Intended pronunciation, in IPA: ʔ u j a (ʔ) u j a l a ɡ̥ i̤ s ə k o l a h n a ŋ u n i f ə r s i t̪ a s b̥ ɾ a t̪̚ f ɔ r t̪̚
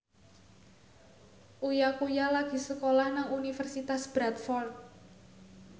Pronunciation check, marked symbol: incorrect: k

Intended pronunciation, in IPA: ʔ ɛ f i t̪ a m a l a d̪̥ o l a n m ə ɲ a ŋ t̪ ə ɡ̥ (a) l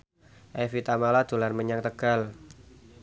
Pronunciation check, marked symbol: correct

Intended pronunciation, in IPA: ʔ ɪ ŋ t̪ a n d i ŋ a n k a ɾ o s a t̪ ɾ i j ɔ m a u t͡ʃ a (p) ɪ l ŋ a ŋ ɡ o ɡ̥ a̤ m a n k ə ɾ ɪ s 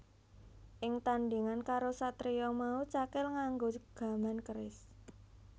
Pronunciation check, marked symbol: incorrect: k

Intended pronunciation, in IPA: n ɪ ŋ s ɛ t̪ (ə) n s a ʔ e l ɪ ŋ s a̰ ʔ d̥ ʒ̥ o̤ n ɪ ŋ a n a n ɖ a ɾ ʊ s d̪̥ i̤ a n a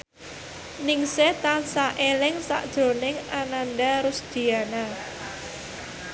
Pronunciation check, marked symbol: incorrect: a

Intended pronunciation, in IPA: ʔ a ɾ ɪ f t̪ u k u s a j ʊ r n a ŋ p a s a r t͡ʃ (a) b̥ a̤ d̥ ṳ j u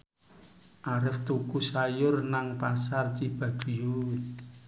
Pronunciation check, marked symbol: incorrect: i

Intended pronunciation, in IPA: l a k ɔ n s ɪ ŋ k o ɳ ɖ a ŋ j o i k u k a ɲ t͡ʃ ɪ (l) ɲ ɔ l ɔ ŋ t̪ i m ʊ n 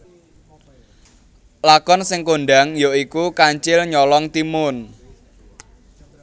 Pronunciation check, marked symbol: correct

